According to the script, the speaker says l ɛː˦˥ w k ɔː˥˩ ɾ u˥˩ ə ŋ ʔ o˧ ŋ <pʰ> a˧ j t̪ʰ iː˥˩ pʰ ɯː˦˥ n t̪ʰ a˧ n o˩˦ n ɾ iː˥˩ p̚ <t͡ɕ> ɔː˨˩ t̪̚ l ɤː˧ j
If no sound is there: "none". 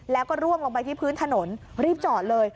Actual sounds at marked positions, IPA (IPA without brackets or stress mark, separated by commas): p, t͡ɕ